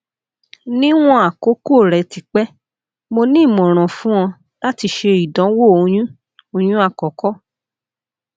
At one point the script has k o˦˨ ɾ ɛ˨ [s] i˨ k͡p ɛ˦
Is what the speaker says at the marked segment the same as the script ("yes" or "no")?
no